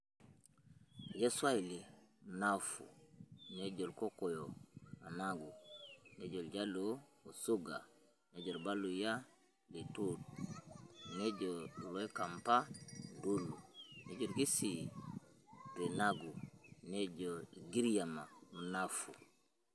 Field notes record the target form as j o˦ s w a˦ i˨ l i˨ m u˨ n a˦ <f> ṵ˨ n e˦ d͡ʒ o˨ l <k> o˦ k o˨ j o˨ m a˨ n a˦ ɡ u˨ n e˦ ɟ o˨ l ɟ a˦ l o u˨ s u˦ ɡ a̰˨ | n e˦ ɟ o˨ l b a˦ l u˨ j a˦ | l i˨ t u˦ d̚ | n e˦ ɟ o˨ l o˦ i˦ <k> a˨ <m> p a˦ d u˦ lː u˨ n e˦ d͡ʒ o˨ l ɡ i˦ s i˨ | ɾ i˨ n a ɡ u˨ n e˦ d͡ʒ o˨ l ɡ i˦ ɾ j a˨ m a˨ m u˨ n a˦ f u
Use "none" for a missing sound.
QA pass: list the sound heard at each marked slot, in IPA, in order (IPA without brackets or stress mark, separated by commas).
f, k, k, m